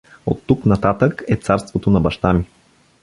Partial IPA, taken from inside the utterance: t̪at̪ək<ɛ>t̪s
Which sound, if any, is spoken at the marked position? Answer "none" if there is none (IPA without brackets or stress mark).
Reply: ɛ